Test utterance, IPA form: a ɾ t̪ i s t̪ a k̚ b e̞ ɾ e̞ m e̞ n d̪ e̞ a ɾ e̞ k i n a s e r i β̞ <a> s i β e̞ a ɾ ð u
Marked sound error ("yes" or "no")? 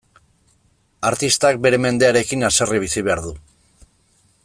yes